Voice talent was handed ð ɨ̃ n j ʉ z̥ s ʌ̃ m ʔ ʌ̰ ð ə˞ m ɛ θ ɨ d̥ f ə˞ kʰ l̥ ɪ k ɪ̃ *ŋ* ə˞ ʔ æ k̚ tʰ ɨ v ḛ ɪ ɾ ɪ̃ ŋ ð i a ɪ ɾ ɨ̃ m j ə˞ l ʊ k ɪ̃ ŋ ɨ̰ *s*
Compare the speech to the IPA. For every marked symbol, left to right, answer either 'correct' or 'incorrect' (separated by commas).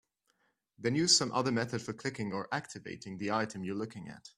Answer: correct, incorrect